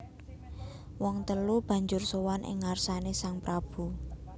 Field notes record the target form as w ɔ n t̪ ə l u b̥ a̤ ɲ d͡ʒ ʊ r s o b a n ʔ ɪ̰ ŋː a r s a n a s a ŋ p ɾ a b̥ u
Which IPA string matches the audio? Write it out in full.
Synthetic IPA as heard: w ɔ ŋ t̪ ə l u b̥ a̤ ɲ d͡ʒ ʊ r s o w a n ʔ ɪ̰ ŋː a r s a n e s a ŋ p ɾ a b̥ u